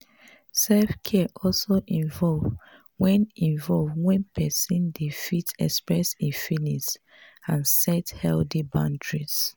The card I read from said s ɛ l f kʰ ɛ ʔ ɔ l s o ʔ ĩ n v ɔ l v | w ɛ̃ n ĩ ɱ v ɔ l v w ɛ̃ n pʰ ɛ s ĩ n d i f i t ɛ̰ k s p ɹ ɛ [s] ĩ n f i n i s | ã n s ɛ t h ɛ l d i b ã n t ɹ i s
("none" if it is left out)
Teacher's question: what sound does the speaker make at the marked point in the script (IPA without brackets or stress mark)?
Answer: s